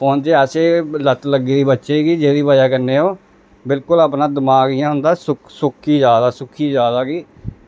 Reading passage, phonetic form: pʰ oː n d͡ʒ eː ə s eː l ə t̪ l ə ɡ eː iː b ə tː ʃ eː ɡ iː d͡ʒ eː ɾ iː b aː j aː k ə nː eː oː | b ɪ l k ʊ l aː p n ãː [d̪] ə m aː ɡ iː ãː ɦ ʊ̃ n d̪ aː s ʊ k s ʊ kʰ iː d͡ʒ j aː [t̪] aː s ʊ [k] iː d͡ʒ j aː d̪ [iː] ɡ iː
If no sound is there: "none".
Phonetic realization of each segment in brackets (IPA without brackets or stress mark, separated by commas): d̪, d̪, kʰ, aː